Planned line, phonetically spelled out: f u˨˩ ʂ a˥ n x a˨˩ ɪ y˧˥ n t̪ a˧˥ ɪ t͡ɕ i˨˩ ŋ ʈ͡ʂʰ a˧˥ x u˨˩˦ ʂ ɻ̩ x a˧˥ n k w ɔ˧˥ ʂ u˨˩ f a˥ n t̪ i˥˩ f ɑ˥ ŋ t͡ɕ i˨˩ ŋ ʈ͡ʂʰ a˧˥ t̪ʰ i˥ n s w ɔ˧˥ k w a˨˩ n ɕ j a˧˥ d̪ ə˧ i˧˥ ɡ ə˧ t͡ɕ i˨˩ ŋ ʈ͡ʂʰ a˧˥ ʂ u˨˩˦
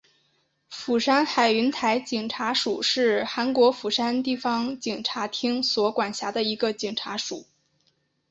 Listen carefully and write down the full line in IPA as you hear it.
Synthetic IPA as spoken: f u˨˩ ʂ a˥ n x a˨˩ ɪ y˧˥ n t̪ʰ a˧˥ ɪ t͡ɕ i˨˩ ŋ ʈ͡ʂʰ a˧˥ ʂ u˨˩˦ ʂ ɻ̩ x a˧˥ n k w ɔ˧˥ f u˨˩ ʂ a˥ n t̪ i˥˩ f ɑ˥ ŋ t͡ɕ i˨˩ ŋ ʈ͡ʂʰ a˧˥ t̪ʰ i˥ ŋ s w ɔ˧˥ k w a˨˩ n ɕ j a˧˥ d̪ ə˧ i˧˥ ɡ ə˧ t͡ɕ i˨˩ ŋ ʈ͡ʂʰ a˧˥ ʂ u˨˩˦